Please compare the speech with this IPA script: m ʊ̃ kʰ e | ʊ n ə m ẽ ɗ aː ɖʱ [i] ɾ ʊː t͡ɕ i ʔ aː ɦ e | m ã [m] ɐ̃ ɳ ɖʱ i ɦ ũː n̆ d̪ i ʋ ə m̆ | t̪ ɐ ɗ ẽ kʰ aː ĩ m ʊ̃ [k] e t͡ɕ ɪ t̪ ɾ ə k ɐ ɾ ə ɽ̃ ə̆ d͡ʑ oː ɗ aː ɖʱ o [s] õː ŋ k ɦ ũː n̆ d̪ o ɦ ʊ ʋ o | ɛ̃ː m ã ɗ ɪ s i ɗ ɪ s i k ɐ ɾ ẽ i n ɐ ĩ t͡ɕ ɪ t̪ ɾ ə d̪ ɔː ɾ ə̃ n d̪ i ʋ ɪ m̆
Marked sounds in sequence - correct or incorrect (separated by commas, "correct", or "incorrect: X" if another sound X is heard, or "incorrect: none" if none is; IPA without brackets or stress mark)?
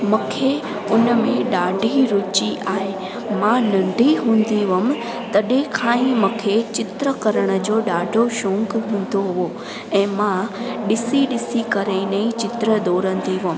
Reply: correct, incorrect: n, incorrect: kʰ, incorrect: ʃ